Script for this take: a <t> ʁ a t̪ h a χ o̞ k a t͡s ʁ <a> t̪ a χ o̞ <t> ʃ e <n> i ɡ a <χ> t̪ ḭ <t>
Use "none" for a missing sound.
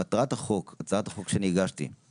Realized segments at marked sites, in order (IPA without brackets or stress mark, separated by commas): t, a, k, n, ʃ, none